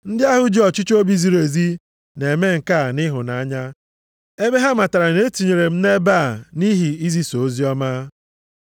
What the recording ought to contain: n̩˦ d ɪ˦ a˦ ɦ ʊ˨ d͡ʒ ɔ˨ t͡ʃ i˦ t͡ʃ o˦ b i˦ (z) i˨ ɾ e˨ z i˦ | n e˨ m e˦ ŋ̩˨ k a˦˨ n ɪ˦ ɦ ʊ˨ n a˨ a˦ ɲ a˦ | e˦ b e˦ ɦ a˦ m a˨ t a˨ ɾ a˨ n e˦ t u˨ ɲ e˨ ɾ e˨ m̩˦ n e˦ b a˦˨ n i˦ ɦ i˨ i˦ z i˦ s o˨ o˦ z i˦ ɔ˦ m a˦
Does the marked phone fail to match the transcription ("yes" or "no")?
no